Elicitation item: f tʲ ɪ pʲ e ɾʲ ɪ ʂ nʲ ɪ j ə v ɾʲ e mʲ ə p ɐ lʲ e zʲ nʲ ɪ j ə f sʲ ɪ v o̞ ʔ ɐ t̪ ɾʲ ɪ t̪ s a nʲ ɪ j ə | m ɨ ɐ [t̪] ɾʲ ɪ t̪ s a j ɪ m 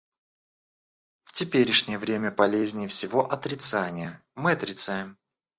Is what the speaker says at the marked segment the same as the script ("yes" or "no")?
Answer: yes